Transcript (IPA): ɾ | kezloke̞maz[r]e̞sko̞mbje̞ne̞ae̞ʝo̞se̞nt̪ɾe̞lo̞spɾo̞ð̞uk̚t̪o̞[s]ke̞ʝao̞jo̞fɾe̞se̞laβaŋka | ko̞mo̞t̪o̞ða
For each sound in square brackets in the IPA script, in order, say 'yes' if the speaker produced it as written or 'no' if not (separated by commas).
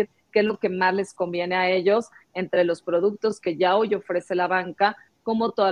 no, yes